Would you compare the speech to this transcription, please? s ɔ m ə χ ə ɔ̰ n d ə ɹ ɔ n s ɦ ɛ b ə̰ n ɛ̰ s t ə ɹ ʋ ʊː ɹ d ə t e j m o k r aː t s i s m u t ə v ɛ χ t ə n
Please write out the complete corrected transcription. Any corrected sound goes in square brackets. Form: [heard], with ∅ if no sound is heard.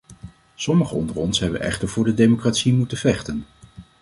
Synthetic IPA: s ɔ m ə χ ə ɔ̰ n d ə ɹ ɔ n s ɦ ɛ b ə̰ n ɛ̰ [χ] t ə ɹ [v] ʊː ɹ d ə [d] e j m o k r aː t s i [∅] m u t ə v ɛ χ t ə n

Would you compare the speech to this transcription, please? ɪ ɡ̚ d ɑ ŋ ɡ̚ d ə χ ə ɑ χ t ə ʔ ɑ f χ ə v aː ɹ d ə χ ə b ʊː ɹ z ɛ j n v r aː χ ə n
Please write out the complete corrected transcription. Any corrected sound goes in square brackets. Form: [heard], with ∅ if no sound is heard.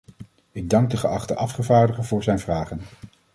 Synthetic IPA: ɪ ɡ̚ d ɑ ŋ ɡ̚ d ə χ ə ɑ χ t ə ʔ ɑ f χ ə v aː ɹ d ə χ ə [v] ʊː ɹ z ɛ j n v r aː χ ə n

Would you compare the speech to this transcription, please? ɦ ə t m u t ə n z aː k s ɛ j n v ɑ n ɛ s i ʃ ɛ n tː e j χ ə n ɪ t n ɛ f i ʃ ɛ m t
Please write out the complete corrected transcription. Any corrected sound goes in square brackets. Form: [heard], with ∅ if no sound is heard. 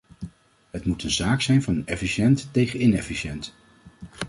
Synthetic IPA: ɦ ə t m u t ə n z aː k s ɛ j n v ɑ n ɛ [f] i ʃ ɛ n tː e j χ ə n ɪ [∅] n ɛ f i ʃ ɛ [n] t

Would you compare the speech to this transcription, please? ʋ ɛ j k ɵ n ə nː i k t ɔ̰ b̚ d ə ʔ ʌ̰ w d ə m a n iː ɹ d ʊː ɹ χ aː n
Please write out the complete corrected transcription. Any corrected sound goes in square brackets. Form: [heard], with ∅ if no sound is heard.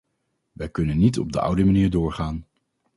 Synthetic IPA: ʋ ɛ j k ɵ n ə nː i [∅] t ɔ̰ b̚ d ə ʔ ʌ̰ w d ə m a n iː ɹ d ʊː ɹ χ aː n

